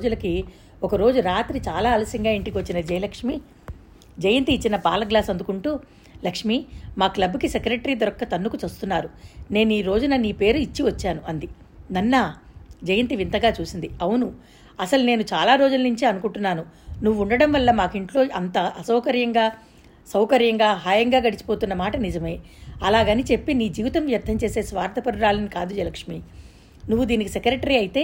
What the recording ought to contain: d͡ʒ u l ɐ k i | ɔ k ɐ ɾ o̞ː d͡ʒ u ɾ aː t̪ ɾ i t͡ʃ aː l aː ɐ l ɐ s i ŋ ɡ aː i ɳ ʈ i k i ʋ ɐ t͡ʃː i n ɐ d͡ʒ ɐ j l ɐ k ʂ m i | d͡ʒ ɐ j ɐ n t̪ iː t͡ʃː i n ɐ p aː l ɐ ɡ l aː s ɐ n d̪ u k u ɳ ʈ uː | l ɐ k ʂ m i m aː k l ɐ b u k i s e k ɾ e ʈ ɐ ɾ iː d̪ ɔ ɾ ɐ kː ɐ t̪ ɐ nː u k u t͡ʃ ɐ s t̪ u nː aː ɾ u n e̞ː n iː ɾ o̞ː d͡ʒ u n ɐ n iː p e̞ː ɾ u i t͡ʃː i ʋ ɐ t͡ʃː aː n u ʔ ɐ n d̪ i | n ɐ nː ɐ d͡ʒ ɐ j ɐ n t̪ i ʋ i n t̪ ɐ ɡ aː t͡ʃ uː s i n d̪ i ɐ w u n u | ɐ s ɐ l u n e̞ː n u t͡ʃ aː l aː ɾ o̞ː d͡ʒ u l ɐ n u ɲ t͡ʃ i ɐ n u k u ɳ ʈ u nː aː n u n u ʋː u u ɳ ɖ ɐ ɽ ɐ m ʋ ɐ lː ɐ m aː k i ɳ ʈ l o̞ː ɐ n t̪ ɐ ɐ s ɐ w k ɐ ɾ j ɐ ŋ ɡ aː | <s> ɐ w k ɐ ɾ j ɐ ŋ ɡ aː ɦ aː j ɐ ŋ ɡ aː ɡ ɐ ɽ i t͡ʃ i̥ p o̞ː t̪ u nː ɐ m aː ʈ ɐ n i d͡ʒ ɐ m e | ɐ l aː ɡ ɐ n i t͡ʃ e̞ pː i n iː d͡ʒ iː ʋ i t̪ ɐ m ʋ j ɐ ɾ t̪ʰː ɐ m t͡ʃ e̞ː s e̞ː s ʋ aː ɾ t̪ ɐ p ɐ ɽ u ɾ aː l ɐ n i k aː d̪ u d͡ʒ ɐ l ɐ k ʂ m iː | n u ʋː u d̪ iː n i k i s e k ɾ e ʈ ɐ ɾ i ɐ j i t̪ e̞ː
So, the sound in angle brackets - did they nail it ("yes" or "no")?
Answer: yes